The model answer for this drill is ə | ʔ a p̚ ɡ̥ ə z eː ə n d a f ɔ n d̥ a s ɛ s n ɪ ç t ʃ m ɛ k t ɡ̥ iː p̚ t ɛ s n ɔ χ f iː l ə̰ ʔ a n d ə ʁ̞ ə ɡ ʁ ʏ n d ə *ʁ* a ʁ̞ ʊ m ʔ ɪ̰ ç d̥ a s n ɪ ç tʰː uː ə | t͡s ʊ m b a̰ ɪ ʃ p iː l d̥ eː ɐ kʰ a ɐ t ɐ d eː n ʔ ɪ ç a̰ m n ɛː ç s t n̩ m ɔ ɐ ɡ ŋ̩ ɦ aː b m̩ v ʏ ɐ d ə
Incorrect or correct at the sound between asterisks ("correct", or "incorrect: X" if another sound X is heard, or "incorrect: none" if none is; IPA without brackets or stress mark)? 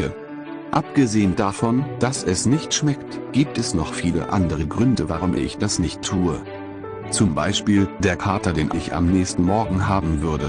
incorrect: v